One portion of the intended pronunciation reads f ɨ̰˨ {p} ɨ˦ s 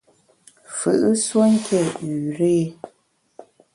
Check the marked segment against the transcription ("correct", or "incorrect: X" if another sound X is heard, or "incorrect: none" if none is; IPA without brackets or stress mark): incorrect: ʔ